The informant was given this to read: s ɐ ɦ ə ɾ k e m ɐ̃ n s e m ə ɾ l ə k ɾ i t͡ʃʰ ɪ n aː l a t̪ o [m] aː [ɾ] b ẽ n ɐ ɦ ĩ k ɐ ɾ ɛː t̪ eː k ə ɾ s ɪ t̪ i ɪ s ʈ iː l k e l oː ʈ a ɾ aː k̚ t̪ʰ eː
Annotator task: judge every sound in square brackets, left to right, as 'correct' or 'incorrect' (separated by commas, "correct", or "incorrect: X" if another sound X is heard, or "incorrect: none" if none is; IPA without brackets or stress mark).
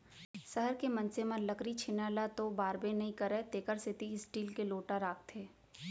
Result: incorrect: b, correct